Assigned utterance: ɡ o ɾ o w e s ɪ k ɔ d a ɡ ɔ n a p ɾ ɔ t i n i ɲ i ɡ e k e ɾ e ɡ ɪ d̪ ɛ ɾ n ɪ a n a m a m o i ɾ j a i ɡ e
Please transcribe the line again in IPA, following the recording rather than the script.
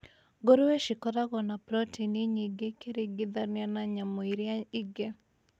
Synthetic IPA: ɡ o ɾ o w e ʃ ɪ k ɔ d a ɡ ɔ n a p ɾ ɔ t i n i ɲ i ɡ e k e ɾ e ɡ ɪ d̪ a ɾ n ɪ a n a ɲ a m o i ɾ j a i ɡ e